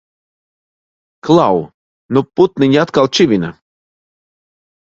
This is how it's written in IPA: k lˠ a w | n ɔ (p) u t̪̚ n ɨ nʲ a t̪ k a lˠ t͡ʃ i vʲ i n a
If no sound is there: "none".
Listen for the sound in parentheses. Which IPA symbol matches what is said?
p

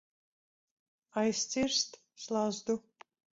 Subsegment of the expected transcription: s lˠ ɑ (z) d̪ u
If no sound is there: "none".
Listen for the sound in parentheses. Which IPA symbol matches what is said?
z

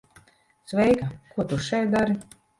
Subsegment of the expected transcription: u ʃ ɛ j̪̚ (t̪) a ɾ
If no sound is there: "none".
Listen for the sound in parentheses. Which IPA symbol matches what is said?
d̪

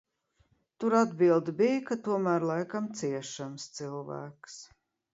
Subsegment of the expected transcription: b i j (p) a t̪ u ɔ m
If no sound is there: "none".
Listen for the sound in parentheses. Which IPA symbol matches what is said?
k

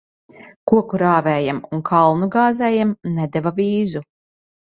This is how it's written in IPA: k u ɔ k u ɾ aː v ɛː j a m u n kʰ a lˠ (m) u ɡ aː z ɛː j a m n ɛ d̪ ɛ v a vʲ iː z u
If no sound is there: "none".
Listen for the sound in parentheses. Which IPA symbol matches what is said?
n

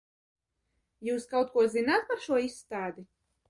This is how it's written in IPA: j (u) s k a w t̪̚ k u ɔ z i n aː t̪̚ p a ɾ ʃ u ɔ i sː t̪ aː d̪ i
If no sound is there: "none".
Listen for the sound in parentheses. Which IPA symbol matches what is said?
uː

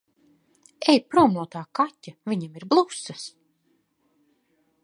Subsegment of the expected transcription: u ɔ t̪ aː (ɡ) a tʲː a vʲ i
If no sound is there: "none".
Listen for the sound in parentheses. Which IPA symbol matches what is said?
k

